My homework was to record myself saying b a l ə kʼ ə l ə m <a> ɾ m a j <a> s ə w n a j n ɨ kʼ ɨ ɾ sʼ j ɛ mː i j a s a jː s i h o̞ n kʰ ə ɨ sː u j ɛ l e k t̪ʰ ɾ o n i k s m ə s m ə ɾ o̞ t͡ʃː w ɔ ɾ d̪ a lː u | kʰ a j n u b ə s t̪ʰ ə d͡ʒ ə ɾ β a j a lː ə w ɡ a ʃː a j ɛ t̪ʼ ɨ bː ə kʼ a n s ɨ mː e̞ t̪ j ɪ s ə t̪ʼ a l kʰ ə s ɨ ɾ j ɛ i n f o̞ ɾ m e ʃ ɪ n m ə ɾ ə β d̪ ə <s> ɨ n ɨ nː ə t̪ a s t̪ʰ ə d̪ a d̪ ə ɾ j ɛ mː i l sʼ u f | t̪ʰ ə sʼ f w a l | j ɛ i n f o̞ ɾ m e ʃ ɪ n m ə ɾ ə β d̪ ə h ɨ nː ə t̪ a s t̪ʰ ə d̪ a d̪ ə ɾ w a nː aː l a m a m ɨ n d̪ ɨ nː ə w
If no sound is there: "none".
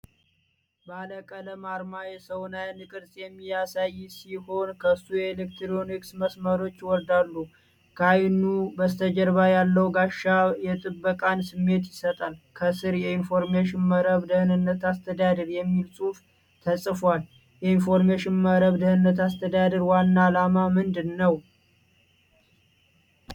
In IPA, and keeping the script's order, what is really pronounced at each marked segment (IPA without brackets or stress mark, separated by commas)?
a, ɛ, h